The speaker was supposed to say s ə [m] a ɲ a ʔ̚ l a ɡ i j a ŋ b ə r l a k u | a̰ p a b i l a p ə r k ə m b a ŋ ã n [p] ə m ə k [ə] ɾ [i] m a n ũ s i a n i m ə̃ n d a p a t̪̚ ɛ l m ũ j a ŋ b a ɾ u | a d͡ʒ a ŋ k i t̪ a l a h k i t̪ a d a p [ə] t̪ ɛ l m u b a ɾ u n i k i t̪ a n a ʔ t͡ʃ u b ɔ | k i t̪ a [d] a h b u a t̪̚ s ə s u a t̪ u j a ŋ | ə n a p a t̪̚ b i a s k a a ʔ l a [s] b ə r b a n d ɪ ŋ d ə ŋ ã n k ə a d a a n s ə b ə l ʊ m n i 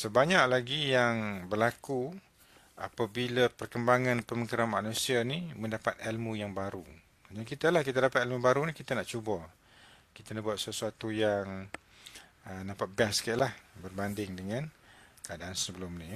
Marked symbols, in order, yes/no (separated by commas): no, yes, yes, no, no, no, no